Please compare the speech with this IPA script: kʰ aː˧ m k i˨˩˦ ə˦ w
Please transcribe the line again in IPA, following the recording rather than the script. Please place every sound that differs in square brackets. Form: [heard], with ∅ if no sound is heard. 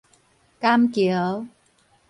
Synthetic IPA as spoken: [k] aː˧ m k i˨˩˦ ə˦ w